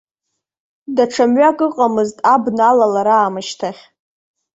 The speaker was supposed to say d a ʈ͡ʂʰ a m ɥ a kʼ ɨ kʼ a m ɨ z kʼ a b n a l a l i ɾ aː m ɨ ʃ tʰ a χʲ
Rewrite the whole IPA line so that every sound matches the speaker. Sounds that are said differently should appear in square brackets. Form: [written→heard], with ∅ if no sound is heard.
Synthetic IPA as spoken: d a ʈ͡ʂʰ a m ɥ a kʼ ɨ [kʼ→qʼ] a m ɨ z [kʼ→tʼ] a b n a l a l [i→a] ɾ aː m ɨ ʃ tʰ a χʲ